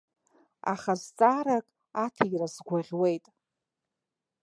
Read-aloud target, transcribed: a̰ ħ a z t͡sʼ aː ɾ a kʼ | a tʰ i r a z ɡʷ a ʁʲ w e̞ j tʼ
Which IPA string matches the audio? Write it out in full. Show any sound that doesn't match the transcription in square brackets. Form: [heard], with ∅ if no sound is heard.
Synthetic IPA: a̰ [χ] a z t͡sʼ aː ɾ a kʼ | a tʰ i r a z ɡʷ a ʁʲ w e̞ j tʼ